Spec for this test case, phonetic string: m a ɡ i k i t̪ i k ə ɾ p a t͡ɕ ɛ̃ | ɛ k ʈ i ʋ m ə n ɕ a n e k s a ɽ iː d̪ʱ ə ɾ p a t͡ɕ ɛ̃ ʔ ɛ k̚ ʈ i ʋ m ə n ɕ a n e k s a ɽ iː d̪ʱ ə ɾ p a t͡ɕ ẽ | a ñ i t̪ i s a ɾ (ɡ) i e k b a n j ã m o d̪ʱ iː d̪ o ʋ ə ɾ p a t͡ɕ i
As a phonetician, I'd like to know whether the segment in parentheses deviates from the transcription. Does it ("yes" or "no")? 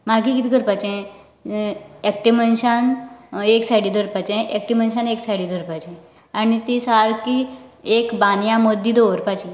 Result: yes